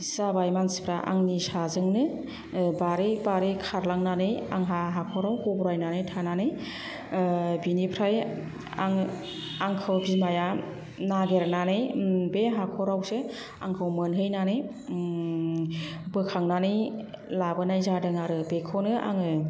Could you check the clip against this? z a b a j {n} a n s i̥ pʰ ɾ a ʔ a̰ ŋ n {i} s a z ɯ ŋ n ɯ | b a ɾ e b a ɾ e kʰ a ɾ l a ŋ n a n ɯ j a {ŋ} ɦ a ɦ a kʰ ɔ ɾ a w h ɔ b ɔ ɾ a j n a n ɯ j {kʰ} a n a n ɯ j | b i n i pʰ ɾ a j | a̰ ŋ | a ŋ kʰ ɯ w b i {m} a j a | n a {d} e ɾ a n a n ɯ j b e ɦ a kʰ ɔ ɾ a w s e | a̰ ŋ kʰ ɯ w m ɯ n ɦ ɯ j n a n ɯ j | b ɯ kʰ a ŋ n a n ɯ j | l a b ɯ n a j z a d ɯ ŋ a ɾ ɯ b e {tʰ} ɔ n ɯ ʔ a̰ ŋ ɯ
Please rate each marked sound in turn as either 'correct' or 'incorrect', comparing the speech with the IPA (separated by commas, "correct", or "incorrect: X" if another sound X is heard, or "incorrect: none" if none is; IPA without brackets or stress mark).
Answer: incorrect: m, correct, correct, incorrect: tʰ, correct, incorrect: ɡ, incorrect: kʰ